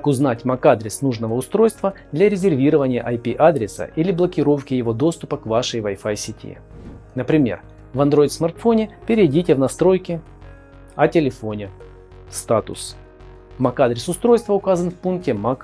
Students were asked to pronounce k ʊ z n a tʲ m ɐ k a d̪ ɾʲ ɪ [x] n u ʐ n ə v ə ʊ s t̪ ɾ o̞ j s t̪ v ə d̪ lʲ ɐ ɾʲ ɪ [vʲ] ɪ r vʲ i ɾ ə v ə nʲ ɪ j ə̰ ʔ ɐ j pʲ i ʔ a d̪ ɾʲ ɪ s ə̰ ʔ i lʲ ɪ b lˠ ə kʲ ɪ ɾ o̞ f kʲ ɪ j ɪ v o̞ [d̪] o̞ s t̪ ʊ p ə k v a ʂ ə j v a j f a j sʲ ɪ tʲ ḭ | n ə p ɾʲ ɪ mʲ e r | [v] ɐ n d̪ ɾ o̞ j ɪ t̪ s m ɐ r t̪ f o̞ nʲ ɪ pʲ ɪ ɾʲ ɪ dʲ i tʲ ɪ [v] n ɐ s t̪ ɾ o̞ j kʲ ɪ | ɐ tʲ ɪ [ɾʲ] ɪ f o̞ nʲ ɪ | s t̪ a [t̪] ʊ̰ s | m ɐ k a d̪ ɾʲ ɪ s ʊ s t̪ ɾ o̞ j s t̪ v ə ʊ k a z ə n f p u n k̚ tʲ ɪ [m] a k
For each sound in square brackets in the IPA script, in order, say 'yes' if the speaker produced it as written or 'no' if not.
no, no, yes, yes, yes, no, yes, yes

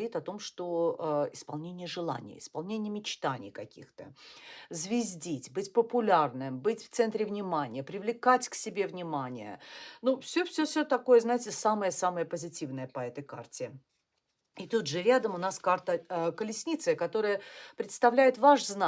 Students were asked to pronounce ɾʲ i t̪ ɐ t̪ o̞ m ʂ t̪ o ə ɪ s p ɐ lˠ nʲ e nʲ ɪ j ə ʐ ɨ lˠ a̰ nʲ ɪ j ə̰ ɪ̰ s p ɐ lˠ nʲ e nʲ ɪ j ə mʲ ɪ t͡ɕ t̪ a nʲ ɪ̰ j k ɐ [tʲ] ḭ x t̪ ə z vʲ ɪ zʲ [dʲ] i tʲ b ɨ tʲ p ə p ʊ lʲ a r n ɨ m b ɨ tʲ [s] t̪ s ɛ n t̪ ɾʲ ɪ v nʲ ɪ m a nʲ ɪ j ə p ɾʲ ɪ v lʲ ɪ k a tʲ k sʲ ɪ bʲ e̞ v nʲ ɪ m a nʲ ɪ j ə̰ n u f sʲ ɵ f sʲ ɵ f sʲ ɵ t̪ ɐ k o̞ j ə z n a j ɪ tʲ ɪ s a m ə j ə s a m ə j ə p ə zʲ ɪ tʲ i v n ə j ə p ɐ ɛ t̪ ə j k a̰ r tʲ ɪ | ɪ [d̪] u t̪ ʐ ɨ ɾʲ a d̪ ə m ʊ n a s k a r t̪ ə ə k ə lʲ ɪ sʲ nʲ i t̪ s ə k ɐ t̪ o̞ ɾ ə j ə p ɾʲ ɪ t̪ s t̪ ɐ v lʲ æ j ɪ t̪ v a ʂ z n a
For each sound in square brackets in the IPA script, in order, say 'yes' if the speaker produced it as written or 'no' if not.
no, yes, no, no

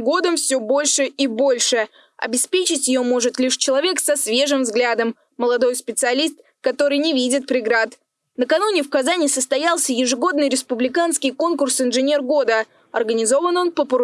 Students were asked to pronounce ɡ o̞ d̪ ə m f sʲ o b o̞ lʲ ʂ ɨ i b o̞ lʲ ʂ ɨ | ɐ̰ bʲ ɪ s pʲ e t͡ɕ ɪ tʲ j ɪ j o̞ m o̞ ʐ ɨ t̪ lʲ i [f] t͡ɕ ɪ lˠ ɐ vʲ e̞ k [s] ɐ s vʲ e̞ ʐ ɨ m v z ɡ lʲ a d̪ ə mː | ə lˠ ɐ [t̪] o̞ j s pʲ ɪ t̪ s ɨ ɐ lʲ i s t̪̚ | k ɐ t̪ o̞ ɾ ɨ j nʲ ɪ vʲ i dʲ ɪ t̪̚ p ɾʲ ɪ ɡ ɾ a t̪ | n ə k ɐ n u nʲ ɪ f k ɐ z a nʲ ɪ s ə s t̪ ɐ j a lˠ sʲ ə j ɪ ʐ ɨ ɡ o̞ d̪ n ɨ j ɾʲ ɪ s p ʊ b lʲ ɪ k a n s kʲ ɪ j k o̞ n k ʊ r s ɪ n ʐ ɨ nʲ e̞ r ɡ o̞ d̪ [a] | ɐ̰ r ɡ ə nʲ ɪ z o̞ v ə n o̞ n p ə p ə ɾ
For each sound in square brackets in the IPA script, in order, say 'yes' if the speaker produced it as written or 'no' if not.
no, yes, no, no

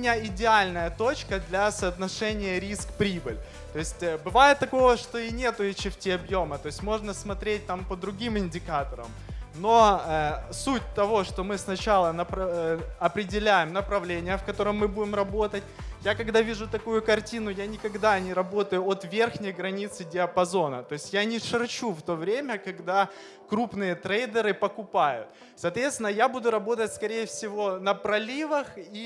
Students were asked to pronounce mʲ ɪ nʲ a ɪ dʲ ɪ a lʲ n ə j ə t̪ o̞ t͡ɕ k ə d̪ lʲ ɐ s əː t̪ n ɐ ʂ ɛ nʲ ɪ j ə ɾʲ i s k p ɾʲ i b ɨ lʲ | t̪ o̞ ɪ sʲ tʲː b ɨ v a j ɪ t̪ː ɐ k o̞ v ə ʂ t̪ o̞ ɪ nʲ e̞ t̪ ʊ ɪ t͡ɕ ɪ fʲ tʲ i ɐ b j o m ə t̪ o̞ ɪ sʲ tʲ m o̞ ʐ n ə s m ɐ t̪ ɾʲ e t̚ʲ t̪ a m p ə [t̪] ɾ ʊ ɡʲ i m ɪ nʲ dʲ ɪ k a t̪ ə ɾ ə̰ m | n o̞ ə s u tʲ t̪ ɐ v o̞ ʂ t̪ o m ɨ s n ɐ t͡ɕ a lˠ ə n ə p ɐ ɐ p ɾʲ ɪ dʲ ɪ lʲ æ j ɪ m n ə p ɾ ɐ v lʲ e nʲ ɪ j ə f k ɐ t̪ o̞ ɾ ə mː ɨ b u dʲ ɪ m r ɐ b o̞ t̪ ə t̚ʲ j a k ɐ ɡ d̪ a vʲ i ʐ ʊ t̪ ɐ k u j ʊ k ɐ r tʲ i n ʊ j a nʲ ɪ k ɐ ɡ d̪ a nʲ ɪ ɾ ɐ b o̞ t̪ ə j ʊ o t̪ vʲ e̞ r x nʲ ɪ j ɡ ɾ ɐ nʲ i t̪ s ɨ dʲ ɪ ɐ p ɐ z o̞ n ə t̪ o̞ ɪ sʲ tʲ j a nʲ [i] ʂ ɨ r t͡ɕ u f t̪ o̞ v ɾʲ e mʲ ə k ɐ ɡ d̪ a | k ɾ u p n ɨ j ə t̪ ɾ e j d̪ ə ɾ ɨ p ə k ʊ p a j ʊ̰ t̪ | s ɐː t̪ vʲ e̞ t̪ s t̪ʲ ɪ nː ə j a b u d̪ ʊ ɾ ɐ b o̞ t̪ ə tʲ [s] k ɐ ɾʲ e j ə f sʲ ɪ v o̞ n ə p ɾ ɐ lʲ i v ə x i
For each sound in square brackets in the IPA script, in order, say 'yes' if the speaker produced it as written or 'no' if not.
no, no, yes

